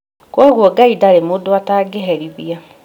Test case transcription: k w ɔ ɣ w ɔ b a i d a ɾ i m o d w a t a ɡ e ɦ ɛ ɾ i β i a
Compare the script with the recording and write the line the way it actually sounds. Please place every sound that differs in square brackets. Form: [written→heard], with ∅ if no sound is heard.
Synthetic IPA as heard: k w ɔ ɣ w ɔ [b→ɡ] a i d a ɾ [i→e] m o d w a t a ɡ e ɦ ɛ ɾ i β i a